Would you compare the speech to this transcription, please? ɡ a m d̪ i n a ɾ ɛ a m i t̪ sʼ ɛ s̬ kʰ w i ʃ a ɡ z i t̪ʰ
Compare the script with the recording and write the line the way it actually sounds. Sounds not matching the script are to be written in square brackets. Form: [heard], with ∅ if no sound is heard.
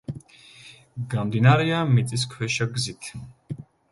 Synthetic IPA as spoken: ɡ a m d̪ i n a ɾ ɛ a m i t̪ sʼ [i] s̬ kʰ w [ɛ] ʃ a ɡ z i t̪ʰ